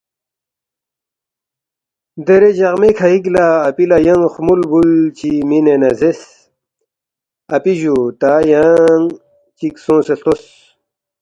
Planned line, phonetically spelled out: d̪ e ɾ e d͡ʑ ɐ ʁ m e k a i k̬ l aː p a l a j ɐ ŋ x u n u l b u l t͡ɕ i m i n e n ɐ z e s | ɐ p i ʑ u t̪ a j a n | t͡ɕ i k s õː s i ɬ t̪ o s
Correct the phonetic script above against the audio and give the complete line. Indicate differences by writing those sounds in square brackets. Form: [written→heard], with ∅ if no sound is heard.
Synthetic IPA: d̪ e ɾ e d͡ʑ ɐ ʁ m e [k→kʰ] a i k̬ l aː p [a→i] l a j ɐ ŋ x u [n→m] u l b u l t͡ɕ i m i n e n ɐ z e s | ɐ p i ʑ u t̪ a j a [n→ŋ] | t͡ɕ i k s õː s [i→e] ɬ t̪ o s